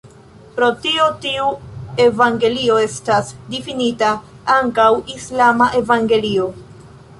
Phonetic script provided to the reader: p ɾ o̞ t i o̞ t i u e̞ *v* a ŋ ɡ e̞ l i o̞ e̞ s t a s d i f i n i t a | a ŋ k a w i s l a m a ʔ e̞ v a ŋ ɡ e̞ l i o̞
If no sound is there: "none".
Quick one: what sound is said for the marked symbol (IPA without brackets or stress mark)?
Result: v